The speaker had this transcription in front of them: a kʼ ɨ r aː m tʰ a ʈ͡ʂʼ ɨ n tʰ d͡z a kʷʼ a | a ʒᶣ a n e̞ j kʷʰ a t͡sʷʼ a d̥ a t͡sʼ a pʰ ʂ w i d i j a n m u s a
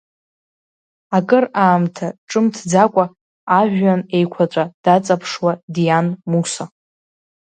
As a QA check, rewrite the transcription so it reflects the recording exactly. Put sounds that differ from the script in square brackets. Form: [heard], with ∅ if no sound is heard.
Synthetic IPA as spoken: a kʼ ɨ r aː m tʰ a ʈ͡ʂʼ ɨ [m] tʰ d͡z a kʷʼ a | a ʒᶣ a n e̞ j kʷʰ a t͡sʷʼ a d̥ a t͡sʼ a pʰ ʂ w [a] d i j a n m u s a